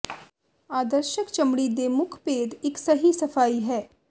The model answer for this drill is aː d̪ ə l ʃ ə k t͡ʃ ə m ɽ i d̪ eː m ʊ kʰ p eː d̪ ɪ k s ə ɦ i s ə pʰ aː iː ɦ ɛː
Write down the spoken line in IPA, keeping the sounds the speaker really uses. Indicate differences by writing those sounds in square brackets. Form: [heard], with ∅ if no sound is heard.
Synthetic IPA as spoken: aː d̪ ə [ɾ] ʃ ə k t͡ʃ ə m ɽ i d̪ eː m ʊ kʰ p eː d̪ ɪ k s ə ɦ i s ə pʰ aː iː ɦ ɛː